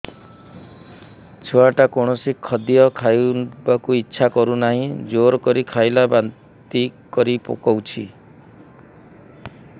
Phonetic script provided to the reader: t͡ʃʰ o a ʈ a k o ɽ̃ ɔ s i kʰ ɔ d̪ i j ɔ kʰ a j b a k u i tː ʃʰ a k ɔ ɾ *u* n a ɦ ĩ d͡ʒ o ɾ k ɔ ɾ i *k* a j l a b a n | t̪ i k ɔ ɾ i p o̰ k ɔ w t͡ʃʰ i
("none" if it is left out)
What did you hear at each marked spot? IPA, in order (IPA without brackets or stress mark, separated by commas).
u, kʰ